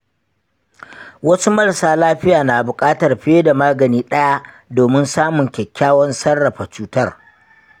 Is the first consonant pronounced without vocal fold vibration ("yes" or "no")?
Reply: no